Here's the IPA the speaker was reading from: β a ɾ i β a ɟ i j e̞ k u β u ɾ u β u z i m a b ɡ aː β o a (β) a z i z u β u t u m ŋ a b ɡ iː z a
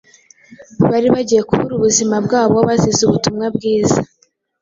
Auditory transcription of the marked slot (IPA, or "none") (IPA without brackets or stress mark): β